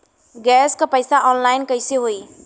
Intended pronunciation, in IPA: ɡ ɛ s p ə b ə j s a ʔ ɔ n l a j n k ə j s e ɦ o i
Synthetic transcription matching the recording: ɡ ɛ s k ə p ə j s a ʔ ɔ n l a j n k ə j s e ɦ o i

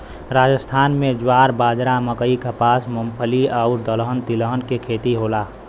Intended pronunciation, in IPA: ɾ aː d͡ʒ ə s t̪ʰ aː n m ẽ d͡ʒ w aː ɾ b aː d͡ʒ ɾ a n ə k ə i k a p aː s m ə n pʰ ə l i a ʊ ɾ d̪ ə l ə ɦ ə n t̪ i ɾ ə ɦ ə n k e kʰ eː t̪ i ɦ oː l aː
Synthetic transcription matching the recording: ɾ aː d͡ʒ ə s t̪ʰ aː n m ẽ d͡ʒ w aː ɾ b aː d͡ʒ ɾ a m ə k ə i k a p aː s m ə m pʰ ə l i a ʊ ɾ d̪ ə l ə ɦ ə n t̪ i l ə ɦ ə n k e kʰ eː t̪ i ɦ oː l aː

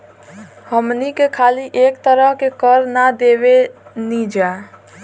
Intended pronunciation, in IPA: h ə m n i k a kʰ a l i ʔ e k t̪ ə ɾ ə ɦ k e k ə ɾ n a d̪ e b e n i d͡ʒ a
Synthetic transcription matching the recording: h ə m n i k e kʰ a l i ʔ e k t̪ ə ɾ ə ɦ k e k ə ɾ n a d̪ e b e n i d͡ʒ a

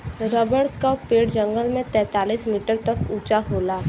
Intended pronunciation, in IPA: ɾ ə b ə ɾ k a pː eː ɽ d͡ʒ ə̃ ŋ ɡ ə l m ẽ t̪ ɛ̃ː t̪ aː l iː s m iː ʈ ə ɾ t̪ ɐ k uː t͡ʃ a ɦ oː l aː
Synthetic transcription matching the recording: ɾ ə b ə ɽ k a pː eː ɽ d͡ʒ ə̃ ŋ ɡ ə l m ẽ t̪ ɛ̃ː t̪ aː l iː s m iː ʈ ə ɾ t̪ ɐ k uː t͡ʃ a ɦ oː l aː

